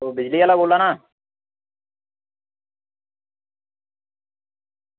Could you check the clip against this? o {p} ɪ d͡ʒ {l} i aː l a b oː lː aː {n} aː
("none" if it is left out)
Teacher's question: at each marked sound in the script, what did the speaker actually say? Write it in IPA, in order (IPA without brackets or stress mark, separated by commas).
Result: b, l, n